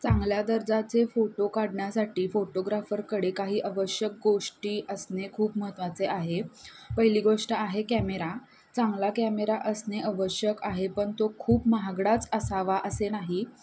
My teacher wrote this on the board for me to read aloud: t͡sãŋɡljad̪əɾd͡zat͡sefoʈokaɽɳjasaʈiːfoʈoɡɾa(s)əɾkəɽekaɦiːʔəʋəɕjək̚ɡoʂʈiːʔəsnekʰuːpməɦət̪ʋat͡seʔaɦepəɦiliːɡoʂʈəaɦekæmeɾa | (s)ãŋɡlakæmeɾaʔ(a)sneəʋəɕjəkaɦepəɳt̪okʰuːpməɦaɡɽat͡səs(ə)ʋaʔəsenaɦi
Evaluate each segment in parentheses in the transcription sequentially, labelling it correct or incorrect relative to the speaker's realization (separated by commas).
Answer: incorrect, incorrect, incorrect, incorrect